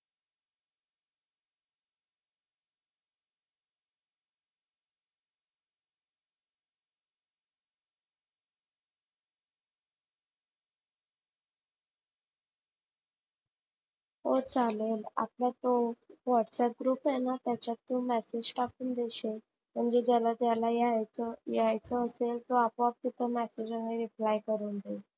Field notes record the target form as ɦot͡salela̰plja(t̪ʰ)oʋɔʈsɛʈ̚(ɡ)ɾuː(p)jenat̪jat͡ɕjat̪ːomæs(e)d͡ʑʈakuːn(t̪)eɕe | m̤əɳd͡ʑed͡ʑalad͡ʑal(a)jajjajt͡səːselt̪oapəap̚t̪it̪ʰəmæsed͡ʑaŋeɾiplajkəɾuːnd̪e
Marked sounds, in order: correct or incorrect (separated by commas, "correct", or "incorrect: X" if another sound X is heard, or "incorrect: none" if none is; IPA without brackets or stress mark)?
incorrect: t̪, correct, correct, correct, incorrect: d̪, correct